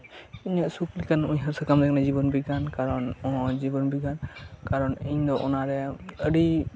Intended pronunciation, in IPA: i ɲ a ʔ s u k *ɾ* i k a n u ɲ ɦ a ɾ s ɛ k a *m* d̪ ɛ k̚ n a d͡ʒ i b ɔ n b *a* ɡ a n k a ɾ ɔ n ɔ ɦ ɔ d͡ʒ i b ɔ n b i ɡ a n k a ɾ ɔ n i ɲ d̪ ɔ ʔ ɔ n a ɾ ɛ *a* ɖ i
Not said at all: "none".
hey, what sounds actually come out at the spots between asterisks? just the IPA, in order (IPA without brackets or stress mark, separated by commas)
l, m, i, ə